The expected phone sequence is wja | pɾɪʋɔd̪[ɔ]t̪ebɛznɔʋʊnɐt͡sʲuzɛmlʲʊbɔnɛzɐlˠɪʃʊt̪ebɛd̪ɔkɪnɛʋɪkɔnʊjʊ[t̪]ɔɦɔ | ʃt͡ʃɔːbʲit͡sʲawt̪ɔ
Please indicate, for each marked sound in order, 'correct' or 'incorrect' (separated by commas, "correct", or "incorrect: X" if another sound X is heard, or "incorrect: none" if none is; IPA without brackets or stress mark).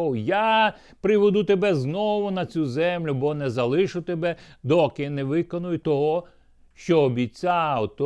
incorrect: u, correct